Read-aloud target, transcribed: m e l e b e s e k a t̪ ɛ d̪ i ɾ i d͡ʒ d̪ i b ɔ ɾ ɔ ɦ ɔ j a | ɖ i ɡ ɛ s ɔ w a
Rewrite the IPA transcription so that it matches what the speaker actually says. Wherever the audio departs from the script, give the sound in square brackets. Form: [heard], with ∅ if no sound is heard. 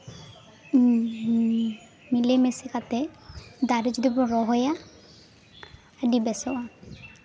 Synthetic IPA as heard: m [i] l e [m] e s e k a t̪ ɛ d̪ [a] ɾ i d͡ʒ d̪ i b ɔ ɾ ɔ ɦ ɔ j a | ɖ i [b] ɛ s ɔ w a